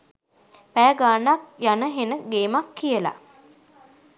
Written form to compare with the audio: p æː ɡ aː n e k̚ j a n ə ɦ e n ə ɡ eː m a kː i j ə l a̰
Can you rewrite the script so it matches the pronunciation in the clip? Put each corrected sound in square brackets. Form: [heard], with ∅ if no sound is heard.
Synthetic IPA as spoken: p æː ɡ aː n [a] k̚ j a n ə ɦ e n ə ɡ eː m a kː i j ə l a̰